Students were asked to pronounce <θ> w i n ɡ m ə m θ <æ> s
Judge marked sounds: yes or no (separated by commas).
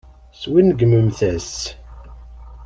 no, yes